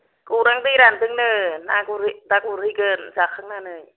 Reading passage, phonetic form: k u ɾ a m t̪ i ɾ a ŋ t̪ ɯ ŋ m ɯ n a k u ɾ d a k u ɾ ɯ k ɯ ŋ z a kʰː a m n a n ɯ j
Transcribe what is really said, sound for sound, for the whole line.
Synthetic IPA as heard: k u ɾ a ŋ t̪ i ɾ a n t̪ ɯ ŋ n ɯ n a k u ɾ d a k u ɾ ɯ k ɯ n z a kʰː a ŋ n a n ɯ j